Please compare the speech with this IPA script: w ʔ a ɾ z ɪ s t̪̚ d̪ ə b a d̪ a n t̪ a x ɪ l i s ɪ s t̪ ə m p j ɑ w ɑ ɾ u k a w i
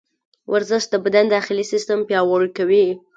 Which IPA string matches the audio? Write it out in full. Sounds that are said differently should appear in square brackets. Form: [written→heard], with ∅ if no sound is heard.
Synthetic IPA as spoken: w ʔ a ɾ z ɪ [s→ʃ] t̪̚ d̪ ə b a d̪ a n [t̪→d̪] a x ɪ l i s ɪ s t̪ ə m p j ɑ w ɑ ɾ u k a w i